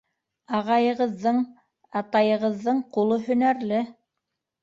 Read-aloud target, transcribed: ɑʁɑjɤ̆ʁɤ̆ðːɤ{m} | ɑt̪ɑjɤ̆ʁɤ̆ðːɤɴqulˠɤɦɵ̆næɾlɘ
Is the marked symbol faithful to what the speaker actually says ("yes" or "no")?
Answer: no